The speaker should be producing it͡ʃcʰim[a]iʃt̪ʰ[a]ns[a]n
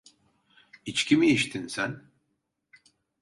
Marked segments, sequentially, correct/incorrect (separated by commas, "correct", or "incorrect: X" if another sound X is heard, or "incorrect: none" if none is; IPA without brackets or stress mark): incorrect: i, incorrect: i, incorrect: æ